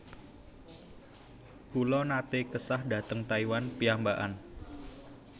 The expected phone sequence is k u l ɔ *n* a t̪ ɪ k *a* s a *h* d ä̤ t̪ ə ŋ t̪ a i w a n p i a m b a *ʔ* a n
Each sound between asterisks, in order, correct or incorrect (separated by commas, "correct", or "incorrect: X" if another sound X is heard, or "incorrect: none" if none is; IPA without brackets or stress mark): correct, incorrect: ə, correct, correct